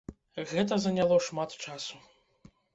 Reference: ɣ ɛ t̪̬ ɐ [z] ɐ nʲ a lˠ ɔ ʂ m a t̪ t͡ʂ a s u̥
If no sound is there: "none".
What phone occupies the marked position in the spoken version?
z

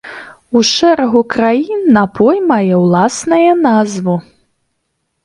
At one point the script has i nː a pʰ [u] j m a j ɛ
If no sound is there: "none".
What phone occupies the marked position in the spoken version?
ɔ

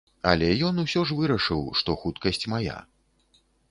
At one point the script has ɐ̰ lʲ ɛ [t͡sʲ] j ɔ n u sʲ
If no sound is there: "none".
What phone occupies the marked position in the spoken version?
none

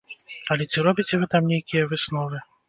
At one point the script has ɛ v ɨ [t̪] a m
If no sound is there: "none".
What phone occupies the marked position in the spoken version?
t̪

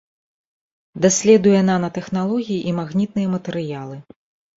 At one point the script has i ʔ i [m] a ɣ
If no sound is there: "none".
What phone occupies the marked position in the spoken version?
m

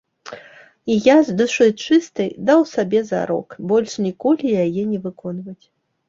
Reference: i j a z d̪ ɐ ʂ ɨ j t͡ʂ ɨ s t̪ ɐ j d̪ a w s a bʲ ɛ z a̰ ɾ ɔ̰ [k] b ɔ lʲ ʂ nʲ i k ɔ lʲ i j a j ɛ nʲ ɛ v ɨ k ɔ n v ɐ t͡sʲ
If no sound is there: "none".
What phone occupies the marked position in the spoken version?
k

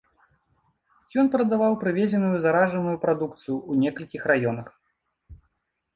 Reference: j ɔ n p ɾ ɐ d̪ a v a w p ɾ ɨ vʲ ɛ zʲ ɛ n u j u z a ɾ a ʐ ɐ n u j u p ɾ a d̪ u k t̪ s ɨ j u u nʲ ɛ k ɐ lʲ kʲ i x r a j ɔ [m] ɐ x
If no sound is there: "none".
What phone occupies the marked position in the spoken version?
n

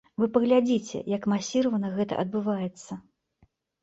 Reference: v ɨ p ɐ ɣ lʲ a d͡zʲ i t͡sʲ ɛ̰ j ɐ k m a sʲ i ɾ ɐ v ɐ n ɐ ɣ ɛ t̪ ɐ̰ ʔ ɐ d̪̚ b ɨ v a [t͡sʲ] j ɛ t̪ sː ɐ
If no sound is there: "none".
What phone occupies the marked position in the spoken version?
none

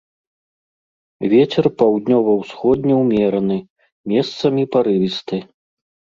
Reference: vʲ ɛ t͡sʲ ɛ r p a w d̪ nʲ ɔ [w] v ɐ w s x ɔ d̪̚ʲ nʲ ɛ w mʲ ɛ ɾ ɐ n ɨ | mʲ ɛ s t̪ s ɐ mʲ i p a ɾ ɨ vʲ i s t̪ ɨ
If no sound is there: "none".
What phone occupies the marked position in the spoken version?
none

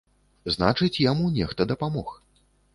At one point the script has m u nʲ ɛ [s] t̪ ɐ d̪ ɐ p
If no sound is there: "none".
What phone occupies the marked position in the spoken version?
x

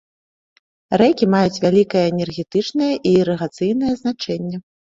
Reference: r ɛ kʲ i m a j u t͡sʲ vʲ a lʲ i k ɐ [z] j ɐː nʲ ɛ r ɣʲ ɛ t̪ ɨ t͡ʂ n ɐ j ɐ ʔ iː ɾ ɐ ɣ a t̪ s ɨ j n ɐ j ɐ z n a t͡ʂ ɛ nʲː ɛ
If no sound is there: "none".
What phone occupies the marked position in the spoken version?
none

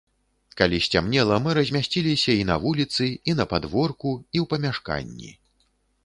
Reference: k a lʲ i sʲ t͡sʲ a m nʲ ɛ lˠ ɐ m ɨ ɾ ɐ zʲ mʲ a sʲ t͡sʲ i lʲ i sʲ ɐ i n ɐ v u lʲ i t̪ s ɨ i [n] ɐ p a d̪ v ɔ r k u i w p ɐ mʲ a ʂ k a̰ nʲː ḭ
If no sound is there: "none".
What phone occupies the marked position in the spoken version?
n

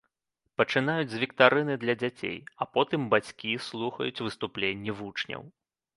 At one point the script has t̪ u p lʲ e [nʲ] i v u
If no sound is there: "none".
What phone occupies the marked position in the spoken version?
nʲː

